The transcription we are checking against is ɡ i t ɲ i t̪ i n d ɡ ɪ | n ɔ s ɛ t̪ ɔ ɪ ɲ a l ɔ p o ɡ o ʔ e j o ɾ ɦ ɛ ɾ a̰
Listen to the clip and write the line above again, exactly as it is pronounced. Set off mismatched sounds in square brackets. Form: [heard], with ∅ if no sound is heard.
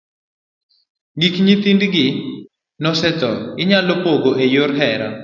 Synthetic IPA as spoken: ɡ i [k] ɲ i t̪ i n d ɡ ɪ | n ɔ s ɛ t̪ ɔ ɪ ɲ a l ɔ p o ɡ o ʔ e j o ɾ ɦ ɛ ɾ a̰

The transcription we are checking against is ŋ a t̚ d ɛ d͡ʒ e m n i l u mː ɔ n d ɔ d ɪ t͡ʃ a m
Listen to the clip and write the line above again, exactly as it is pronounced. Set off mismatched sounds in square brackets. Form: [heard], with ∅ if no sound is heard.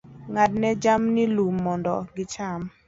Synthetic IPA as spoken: ŋ a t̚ [n] ɛ d͡ʒ [a] m n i l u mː ɔ n d ɔ [ɡ] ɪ t͡ʃ a m

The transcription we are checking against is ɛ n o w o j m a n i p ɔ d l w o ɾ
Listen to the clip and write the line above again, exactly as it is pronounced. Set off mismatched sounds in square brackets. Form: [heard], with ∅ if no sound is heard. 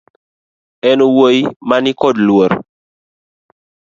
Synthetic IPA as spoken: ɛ n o w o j m a n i [k] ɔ d l w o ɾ

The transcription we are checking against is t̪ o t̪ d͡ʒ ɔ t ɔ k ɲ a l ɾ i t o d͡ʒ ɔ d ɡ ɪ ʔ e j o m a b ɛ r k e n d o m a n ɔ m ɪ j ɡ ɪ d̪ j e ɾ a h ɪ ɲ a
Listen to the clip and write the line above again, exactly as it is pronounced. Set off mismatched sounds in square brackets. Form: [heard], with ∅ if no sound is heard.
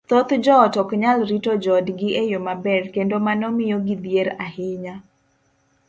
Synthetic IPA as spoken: t̪ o t̪ d͡ʒ ɔ t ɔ k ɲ a l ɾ i t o d͡ʒ ɔ d ɡ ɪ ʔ e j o m a b ɛ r k e n d o m a n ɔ m ɪ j ɡ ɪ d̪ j e ɾ a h ɪ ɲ a

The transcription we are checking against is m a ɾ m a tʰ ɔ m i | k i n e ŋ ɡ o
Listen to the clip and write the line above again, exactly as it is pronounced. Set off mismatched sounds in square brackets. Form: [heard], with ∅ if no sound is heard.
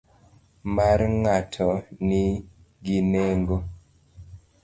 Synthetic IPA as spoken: m a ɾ [ŋ] a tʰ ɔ [n] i | [ɡ] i n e ŋ ɡ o

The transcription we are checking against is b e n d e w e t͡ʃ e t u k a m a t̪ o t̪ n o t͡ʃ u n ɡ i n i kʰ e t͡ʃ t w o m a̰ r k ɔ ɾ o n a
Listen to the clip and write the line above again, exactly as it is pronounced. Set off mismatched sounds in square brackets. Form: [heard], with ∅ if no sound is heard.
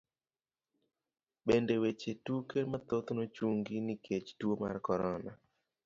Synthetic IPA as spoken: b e n d e w e t͡ʃ e t u k [e] m a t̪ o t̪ n o t͡ʃ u [ŋ] ɡ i n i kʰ e t͡ʃ t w o m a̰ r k ɔ ɾ [ɔ] n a

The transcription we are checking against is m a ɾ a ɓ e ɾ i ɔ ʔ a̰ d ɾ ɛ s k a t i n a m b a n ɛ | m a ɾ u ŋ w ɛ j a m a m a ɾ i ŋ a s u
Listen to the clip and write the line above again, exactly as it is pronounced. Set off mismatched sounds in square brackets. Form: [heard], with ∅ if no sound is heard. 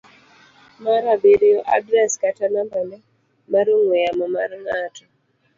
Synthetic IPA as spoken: m a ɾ a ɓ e ɾ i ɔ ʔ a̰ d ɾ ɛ s k a t [a] n a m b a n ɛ | m a ɾ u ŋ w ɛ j a m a m a ɾ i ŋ a [t] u

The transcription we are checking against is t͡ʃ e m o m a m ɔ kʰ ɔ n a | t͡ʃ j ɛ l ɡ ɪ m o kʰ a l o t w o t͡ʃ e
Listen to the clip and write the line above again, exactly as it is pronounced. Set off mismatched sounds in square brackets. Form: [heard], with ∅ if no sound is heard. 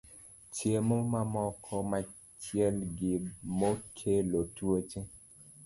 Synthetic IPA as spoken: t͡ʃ e m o m a m ɔ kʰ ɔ [m] a | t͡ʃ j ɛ l ɡ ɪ m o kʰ [e] l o t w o t͡ʃ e

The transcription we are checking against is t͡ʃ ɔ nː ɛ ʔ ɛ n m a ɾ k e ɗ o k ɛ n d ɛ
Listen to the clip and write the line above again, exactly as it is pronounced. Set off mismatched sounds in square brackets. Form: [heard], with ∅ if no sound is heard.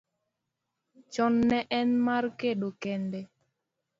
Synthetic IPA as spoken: t͡ʃ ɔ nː ɛ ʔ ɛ n m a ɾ k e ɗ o k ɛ n d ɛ

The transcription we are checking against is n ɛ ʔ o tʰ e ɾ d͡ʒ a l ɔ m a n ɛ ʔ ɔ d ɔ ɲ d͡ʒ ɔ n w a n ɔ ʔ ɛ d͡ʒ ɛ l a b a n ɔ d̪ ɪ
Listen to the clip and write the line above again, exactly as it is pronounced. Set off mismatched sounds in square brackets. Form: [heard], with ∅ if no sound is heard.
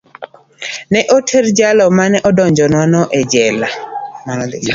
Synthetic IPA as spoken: n ɛ ʔ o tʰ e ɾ d͡ʒ a l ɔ m a n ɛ ʔ ɔ d ɔ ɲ d͡ʒ ɔ n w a n ɔ ʔ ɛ d͡ʒ ɛ l a [m] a n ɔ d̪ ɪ

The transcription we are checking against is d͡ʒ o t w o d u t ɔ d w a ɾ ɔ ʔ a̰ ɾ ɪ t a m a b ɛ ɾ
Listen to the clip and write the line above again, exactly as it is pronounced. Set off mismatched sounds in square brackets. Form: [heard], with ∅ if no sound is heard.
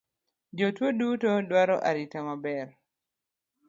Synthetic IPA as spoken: d͡ʒ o t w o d u t ɔ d w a ɾ ɔ ʔ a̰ ɾ [i] t a m a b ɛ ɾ

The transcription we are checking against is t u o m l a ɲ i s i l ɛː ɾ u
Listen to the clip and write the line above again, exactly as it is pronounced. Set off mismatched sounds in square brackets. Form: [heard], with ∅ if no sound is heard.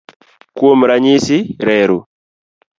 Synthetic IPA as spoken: [k] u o m [ɾ] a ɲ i s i [ɾ] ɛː ɾ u

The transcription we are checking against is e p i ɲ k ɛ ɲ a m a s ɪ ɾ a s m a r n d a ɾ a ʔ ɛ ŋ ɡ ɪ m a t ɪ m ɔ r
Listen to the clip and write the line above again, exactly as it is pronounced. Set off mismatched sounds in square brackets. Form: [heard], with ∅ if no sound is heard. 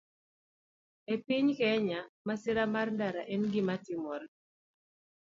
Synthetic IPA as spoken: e p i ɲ k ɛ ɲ a m a s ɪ ɾ a [∅] m a r n d a ɾ a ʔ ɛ [n] ɡ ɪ m a t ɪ m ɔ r

